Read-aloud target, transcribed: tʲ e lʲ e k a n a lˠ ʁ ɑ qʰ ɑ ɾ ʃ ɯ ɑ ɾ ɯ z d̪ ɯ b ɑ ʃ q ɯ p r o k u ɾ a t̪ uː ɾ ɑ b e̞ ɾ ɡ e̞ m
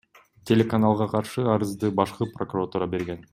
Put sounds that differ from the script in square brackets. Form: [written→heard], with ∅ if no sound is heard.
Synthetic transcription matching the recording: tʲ e lʲ e k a n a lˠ ʁ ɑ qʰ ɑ ɾ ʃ ɯ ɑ ɾ ɯ z d̪ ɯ b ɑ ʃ q ɯ p r o k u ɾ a t̪ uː ɾ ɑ b e̞ ɾ ɡ e̞ [m→n]